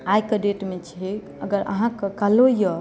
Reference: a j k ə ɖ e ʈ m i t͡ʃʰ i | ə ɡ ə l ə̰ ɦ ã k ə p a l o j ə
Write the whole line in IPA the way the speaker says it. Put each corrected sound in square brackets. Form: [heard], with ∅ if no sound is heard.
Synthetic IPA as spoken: a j k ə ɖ e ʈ m [e] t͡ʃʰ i | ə ɡ ə [ɾ] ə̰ ɦ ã k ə [k] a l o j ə